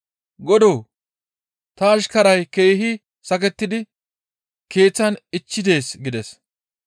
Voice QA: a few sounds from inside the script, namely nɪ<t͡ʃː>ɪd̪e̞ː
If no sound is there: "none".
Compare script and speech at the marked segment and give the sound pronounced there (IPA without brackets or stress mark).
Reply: t͡ʃː